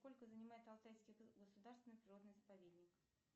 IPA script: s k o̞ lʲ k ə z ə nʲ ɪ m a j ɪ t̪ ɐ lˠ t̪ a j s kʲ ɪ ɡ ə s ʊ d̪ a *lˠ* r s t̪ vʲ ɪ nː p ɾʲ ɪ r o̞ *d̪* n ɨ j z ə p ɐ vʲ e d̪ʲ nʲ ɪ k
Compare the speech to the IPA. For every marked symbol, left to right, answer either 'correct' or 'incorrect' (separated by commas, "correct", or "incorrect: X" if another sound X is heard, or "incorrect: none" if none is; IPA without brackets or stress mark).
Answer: incorrect: none, correct